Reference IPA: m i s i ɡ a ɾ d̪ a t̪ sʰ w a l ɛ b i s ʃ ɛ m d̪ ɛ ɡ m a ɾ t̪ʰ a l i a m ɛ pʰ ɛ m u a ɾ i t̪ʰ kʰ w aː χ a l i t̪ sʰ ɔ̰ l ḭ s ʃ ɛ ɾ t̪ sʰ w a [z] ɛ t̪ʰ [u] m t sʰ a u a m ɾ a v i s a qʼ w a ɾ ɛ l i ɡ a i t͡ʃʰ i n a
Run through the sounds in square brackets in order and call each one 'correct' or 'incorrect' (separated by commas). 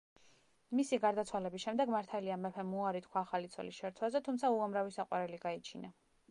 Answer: correct, correct